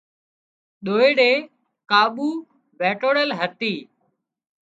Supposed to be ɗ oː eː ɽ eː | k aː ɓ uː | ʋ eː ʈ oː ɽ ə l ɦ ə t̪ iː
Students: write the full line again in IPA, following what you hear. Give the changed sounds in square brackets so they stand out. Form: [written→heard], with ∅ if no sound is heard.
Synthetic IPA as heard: ɗ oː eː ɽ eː | k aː ɓ uː | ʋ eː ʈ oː ɽ ə l ɦ ə t̪ iː